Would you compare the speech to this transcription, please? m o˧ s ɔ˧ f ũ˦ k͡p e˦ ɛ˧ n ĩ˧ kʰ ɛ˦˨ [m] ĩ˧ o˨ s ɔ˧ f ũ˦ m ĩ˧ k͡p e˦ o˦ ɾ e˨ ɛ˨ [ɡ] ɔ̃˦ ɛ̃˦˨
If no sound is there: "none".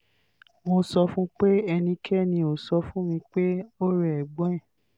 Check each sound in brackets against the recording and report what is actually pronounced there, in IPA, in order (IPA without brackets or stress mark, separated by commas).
n, ɡ͡b